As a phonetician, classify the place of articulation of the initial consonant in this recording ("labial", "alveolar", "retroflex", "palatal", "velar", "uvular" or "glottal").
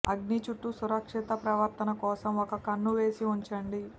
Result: velar